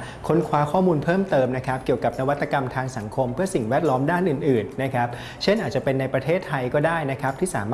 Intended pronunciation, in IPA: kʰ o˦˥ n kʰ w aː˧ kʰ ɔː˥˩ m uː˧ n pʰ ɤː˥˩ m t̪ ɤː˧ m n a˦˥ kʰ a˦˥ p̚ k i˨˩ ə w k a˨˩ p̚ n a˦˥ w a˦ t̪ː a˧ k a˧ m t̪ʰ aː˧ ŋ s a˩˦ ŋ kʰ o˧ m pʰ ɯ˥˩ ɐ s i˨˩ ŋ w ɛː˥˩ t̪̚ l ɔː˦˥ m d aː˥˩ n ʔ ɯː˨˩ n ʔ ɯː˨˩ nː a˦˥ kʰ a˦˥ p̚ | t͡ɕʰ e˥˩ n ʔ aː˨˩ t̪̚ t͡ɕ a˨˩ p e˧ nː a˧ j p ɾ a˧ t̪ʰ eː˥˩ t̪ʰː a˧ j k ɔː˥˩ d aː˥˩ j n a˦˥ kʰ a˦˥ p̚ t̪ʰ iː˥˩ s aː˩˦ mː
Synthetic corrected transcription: kʰ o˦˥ n kʰ w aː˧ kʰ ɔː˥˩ m uː˧ n pʰ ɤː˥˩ m t̪ ɤː˧ m n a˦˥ kʰ a˦˥ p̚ k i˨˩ ə w k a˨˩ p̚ n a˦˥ w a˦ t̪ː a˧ k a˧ m t̪ʰ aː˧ ŋ s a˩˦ ŋ kʰ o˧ m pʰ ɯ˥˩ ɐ s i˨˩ ŋ w ɛː˥˩ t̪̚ l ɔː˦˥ m d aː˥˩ n ʔ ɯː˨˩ n ʔ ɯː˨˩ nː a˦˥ kʰ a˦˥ p̚ | t͡ɕʰ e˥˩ n ʔ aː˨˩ t̪̚ t͡ɕ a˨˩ p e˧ nː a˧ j p ɾ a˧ t̪ʰ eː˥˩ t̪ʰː a˧ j k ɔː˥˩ d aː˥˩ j n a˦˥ kʰ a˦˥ p̚ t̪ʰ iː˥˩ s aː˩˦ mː